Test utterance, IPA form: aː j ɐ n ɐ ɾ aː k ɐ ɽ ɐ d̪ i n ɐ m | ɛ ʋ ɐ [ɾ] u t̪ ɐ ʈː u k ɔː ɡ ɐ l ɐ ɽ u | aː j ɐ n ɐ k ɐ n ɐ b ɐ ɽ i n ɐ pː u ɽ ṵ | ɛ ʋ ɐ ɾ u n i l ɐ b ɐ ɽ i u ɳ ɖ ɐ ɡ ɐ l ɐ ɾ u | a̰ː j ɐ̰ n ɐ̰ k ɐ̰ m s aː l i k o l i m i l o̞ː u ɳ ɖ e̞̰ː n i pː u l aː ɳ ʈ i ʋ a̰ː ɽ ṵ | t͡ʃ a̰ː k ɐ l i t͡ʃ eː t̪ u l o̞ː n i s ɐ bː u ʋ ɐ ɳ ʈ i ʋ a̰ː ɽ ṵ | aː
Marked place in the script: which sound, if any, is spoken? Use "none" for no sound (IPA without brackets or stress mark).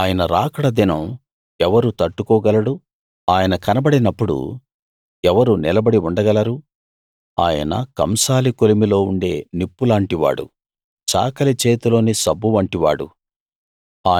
ɾ